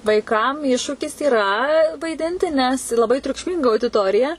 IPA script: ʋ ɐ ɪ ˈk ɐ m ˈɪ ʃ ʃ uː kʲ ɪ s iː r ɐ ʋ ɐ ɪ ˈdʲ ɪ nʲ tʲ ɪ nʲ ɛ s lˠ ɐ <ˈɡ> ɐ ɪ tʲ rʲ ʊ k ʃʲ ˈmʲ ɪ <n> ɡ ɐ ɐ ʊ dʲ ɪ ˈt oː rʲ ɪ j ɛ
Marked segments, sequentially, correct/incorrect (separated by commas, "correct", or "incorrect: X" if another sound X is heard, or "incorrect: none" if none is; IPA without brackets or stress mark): incorrect: b, incorrect: ŋ